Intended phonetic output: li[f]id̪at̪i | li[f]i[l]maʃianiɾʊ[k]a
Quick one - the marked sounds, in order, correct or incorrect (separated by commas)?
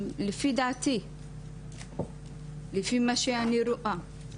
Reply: correct, correct, incorrect, incorrect